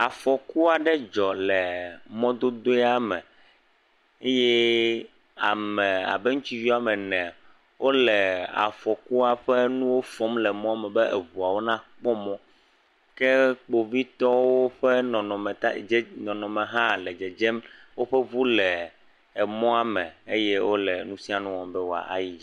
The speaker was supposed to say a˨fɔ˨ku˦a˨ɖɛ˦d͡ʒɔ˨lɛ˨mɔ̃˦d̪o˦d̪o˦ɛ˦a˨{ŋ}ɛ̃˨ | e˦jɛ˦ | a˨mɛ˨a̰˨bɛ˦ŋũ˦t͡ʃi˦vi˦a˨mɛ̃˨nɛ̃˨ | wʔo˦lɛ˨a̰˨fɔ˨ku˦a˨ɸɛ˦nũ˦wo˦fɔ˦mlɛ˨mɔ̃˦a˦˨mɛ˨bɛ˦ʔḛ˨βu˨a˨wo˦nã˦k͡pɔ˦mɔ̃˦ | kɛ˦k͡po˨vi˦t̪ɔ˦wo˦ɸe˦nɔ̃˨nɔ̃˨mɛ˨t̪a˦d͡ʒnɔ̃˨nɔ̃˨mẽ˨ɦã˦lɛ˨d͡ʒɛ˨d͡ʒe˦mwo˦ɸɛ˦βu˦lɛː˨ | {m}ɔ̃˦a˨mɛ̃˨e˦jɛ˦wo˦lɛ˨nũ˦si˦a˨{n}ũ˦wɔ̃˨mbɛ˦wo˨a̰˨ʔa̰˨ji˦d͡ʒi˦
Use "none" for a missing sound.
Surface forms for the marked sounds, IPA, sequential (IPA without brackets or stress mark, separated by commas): m, m, n